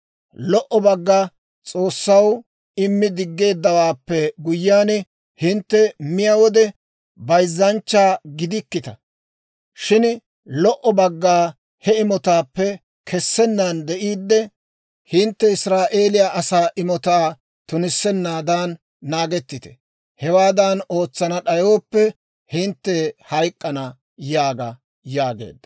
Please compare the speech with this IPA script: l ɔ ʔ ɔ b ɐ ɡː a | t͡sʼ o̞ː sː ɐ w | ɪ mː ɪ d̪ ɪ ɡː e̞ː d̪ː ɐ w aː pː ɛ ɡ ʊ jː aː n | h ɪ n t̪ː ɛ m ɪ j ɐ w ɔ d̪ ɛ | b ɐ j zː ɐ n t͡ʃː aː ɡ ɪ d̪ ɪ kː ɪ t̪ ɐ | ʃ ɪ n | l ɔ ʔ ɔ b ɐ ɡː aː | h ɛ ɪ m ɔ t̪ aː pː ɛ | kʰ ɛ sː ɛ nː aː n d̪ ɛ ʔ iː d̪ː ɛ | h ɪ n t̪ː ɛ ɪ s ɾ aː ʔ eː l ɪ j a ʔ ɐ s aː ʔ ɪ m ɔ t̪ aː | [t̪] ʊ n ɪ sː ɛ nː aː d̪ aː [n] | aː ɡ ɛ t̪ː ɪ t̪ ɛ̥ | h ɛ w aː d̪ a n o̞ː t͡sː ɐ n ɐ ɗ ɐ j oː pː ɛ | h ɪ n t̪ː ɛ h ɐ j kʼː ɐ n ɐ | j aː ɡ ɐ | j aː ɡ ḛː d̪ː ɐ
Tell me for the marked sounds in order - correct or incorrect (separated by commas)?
correct, incorrect